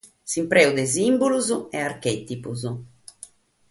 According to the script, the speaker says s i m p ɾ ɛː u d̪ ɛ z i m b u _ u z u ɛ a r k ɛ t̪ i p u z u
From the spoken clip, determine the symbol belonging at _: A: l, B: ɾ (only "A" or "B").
A